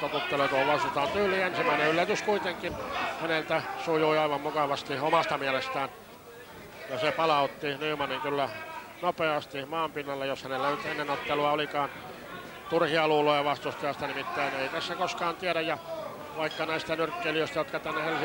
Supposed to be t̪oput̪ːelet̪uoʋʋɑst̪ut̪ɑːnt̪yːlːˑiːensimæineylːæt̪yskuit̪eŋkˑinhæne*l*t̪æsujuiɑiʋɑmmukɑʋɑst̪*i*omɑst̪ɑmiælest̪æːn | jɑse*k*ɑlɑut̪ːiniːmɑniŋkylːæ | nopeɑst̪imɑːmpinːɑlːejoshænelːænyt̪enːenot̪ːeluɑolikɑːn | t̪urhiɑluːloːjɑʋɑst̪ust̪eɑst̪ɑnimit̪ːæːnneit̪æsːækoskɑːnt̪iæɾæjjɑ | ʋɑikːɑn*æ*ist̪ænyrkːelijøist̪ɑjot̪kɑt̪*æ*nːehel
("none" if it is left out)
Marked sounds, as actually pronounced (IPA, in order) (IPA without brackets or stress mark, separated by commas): l, i, p, æ, æ